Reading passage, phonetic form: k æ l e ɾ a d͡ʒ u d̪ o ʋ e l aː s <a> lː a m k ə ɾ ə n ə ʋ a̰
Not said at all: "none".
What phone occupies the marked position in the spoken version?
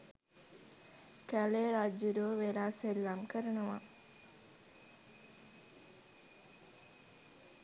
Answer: e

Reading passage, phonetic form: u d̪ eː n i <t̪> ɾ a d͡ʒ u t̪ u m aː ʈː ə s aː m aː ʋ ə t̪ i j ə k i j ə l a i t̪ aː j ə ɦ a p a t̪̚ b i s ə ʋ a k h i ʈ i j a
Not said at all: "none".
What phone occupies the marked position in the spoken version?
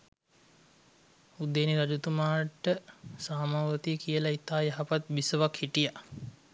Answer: none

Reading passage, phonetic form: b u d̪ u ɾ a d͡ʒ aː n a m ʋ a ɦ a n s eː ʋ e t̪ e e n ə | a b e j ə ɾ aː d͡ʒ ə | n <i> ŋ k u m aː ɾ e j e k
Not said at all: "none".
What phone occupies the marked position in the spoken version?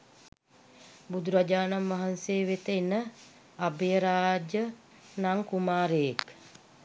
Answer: a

